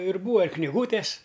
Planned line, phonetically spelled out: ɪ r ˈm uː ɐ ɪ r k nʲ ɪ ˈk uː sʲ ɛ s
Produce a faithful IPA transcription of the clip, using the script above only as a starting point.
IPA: ɪ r ˈb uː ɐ ɪ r k nʲ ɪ ˈɡ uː tʲ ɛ s